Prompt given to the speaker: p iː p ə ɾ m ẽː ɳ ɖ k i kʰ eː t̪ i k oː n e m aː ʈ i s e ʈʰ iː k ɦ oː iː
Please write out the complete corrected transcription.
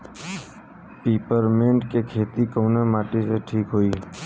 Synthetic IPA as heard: p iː p ə ɾ m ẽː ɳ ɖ k e kʰ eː t̪ i k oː n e m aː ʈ i s e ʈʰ iː k ɦ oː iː